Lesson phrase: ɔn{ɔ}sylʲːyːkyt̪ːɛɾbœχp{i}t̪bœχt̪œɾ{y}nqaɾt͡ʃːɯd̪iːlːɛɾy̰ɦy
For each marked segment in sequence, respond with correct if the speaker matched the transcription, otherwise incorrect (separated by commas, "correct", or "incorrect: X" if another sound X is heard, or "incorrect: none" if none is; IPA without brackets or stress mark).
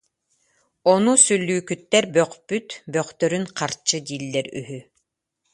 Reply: incorrect: u, incorrect: y, correct